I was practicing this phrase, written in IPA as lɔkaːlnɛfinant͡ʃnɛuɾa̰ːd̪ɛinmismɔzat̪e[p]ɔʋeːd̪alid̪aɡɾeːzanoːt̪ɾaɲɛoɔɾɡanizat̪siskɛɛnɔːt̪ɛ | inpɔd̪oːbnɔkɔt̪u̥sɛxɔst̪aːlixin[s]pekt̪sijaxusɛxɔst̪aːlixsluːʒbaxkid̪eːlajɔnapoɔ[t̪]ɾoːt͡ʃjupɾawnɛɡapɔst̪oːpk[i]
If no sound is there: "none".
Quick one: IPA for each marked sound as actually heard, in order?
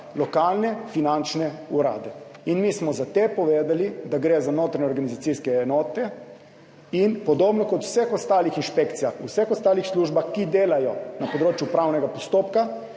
p, ʃ, d̪, a

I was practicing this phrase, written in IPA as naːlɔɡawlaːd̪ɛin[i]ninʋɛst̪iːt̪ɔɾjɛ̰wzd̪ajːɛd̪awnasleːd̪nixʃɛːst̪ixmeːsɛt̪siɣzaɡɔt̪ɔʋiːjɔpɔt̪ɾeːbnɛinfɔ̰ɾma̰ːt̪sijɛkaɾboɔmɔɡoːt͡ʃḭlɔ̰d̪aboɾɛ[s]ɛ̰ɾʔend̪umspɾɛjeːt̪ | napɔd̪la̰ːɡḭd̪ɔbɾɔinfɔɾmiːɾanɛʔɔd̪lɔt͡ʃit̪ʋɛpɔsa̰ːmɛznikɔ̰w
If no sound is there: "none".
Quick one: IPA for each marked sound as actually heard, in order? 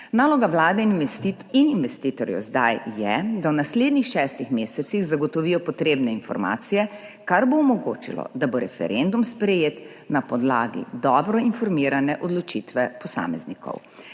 i, f

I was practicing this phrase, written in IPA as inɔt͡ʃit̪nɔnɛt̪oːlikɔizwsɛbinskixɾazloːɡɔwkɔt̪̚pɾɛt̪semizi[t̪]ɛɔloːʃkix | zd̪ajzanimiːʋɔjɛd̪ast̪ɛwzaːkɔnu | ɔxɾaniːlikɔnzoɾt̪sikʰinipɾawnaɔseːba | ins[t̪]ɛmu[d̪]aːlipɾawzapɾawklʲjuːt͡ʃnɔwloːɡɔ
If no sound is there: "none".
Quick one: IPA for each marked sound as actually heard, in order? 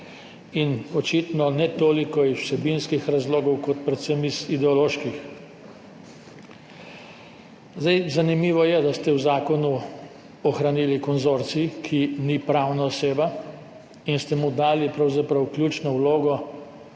d̪, t̪, d̪

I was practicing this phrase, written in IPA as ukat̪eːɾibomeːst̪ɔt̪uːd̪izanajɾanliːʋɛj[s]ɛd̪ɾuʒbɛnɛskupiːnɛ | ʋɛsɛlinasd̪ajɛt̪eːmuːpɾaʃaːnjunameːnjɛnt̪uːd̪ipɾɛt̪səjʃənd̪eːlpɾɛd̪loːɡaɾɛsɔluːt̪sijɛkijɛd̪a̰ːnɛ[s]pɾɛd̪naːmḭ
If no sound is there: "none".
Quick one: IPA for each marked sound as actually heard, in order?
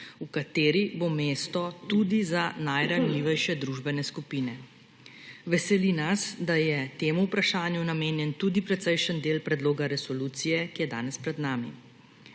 ʃ, s

